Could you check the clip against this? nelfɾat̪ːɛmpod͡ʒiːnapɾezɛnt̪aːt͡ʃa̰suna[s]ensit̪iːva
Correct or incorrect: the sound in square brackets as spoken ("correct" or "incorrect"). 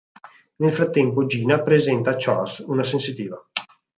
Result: correct